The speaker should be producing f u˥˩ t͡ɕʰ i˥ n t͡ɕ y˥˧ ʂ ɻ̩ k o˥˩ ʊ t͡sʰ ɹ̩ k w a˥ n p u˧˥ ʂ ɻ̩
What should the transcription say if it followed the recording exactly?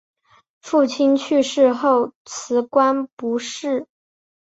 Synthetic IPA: f u˥˩ t͡ɕʰ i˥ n t͡ɕʰ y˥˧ ʂ ɻ̩ x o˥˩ ʊ t͡sʰ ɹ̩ k w a˥ n p u˧˥ ʂ ɻ̩

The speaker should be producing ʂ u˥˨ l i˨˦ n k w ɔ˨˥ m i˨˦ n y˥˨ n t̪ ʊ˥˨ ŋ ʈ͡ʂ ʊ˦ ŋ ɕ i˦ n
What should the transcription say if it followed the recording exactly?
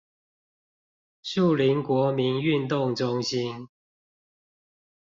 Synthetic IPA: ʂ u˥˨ l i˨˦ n k w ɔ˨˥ m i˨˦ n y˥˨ n t̪ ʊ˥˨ ŋ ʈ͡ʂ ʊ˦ ŋ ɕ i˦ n

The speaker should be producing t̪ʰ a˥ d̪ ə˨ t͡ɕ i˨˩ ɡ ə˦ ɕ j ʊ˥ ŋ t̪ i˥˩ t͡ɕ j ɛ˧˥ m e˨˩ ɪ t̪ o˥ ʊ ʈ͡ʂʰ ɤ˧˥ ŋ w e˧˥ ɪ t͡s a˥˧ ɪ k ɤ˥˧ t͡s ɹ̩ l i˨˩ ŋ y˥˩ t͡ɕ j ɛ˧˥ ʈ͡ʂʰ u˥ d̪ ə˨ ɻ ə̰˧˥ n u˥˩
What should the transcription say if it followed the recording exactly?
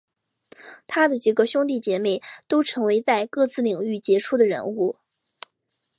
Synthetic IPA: t̪ʰ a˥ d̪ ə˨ t͡ɕ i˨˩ ɡ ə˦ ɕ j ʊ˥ ŋ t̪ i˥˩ t͡ɕ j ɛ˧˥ m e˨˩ ɪ t̪ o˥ ʊ ʈ͡ʂʰ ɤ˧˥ ŋ w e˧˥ ɪ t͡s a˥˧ ɪ k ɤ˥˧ t͡s ɹ̩ l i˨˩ ŋ y˥˩ t͡ɕ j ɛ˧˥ ʈ͡ʂʰ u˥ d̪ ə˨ ɻ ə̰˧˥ n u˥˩

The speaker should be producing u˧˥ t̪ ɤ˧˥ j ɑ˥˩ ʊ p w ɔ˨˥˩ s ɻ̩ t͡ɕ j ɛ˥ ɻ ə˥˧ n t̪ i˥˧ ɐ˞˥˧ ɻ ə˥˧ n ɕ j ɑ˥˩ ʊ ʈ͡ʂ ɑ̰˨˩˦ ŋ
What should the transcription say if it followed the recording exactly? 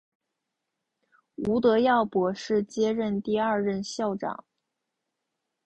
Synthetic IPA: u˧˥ t̪ ɤ˧˥ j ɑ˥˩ ʊ p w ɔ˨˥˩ ʂ ɻ̩ t͡ɕ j ɛ˥ ɻ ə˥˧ n t̪ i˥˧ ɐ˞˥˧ ɻ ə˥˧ n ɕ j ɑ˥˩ ʊ ʈ͡ʂ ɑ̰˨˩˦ ŋ

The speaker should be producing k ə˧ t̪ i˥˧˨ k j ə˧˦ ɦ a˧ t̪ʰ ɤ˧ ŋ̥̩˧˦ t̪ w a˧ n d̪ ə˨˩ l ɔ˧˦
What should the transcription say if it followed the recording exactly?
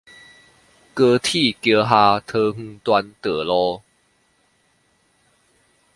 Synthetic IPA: k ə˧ t̪ʰ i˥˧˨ k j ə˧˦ ɦ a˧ t̪ʰ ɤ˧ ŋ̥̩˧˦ t̪ w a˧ n t̪ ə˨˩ l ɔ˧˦

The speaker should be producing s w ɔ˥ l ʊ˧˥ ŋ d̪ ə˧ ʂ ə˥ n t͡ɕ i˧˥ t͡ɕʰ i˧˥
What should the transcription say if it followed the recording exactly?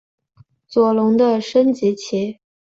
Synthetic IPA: t͡s w ɔ˨˩ l ʊ˧˥ ŋ d̪ ə˧ ʂ ə˥ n t͡ɕ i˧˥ t͡ɕʰ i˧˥

